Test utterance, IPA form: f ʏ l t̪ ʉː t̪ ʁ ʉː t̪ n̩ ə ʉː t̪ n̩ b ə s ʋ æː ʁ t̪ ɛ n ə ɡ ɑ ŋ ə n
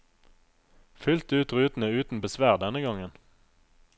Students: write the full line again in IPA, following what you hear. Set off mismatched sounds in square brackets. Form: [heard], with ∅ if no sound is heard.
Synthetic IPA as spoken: f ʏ l t̪ ʉː t̪ ʁ ʉː t̪ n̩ ə ʉː t̪ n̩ b ə s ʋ æː ʁ [d̪] ɛ n ə ɡ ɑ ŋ ə n